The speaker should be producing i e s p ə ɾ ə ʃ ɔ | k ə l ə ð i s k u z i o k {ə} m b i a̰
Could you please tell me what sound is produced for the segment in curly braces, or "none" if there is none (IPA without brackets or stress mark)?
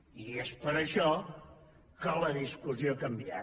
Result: ə